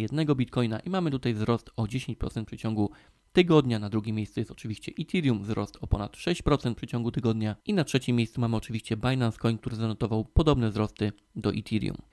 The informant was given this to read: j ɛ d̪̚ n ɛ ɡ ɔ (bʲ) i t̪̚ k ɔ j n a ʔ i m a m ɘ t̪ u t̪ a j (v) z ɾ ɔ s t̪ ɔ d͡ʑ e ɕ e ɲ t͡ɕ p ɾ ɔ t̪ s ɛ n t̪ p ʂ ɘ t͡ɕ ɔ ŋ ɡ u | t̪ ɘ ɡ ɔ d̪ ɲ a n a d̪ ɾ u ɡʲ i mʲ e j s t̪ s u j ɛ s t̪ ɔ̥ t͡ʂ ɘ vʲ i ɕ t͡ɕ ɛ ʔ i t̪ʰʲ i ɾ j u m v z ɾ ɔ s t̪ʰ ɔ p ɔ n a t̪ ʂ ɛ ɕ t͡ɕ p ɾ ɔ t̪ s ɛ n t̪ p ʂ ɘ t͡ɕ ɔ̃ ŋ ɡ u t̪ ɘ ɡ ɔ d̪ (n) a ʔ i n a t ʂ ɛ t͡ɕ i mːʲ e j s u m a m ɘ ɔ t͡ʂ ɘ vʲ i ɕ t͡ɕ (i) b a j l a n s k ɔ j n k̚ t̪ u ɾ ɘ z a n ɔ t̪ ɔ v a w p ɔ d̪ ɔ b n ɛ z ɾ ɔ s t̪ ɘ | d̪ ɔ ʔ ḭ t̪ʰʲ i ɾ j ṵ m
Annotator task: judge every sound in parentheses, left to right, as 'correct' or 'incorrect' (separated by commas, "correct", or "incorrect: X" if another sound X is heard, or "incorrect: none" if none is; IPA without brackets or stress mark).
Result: correct, correct, incorrect: ɲ, incorrect: ɛ